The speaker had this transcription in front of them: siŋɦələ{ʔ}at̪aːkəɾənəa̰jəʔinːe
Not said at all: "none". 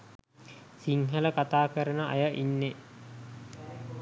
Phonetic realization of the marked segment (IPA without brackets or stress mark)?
k